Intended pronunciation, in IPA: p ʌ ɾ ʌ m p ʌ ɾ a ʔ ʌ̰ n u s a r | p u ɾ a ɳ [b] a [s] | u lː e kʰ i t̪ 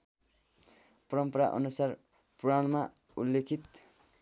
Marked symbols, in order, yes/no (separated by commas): no, no